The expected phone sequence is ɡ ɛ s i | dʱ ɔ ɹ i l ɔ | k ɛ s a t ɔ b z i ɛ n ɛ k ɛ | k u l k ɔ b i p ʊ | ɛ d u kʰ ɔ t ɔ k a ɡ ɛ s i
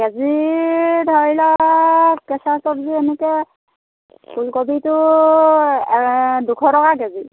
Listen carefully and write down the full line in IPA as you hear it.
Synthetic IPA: ɡ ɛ z i | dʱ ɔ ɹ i l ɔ | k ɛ s a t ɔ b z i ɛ n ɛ k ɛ | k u l k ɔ b i t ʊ | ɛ d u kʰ ɔ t ɔ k a ɡ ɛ z i